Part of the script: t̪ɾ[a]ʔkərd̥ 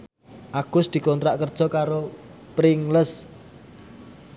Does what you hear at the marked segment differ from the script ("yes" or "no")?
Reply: no